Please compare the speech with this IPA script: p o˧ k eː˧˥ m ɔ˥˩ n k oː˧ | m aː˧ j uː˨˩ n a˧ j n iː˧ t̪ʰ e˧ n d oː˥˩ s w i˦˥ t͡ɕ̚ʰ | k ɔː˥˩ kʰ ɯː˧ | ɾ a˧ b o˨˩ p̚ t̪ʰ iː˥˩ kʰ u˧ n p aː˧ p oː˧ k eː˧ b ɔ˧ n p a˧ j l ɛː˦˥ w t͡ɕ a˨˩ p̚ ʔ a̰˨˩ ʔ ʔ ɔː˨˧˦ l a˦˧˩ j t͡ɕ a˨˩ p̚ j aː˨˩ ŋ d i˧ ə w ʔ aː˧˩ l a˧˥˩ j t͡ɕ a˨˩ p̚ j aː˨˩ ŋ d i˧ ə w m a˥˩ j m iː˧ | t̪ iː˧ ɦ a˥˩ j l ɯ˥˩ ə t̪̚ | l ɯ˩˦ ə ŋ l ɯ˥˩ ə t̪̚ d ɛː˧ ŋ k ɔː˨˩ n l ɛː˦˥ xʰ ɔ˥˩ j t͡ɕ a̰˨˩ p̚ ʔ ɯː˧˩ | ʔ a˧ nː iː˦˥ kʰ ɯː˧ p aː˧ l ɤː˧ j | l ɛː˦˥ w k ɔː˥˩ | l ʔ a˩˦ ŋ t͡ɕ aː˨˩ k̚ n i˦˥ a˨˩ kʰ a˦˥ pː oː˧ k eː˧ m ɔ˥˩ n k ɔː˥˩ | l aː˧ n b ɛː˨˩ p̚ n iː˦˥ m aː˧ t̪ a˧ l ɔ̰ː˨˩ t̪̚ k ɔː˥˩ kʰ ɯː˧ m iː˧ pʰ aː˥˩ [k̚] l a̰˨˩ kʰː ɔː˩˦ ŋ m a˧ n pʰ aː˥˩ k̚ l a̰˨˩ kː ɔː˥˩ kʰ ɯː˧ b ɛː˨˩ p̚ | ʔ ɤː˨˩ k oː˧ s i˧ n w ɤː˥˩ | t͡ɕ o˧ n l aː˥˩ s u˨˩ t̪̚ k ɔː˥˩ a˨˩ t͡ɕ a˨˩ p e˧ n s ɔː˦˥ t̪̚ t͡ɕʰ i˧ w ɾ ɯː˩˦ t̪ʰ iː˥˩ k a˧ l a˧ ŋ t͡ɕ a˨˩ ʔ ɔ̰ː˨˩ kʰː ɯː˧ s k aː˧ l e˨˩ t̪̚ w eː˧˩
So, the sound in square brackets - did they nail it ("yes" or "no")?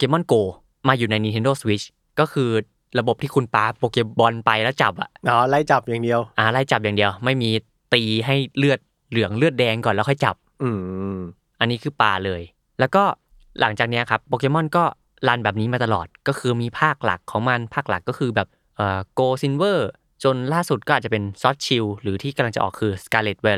yes